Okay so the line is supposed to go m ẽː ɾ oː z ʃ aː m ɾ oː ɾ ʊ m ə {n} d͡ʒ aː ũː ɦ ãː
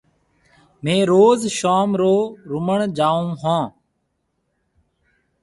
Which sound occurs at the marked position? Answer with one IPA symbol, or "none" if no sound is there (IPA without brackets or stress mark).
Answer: ɳ